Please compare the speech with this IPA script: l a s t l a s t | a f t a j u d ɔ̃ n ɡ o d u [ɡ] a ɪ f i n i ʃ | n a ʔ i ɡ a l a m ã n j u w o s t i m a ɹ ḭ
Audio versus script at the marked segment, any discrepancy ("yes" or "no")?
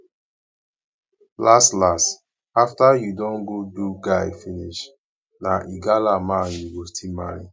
no